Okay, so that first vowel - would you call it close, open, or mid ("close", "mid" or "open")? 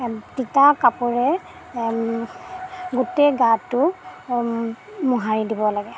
close